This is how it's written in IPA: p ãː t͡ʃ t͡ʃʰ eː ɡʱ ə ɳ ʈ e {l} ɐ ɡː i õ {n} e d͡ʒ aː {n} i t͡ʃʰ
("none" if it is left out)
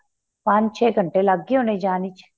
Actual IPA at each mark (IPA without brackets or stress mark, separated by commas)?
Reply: l, n, n